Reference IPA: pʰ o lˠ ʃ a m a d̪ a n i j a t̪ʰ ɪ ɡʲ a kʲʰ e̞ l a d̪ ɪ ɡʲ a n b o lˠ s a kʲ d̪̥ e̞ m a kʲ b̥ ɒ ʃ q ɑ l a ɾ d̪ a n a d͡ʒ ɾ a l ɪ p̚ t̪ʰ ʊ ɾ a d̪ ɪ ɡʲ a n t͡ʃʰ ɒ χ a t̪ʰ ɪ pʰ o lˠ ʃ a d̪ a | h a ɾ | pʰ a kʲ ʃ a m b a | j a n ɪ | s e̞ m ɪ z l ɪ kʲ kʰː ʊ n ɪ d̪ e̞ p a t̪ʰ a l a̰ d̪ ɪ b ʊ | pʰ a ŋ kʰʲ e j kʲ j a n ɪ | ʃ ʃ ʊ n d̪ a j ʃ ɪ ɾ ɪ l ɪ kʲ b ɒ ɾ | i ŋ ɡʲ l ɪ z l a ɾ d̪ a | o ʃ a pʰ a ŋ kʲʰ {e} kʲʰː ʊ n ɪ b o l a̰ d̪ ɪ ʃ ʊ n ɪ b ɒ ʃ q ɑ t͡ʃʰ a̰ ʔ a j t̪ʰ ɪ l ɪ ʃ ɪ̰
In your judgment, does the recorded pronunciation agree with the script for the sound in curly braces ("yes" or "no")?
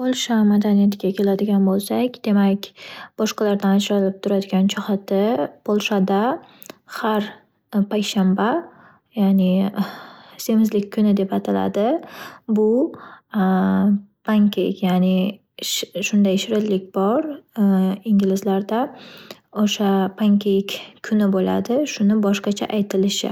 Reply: yes